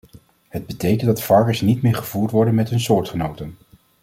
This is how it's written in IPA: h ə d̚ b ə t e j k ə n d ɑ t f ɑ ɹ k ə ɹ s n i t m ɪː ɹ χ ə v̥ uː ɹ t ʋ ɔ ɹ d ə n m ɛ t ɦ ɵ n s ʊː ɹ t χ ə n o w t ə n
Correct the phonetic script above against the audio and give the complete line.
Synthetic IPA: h ə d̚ b ə t e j k ə n d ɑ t f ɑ ɹ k ə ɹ s n i t m ɪː ɹ χ ə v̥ uː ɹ t ʋ ɔ ɹ d ə n m ɛ t ɦ ɵ n s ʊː ɹ t χ ə n o w t ə n